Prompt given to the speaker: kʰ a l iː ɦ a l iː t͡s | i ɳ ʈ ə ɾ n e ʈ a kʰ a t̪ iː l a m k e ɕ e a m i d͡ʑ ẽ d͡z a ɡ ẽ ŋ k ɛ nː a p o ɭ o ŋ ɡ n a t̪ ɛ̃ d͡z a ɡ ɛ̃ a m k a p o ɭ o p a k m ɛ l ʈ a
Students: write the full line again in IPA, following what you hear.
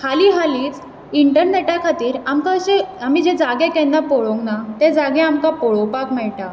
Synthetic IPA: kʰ a l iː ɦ a l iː t͡s | i ɳ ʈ ə ɾ n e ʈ a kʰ a t̪ iː ɾ a m k a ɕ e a m i d͡ʑ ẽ d͡z a ɡ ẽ k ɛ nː a p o ɭ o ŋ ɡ n a t̪ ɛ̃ d͡z a ɡ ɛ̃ a m k a p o ɭ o p a k m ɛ ɭ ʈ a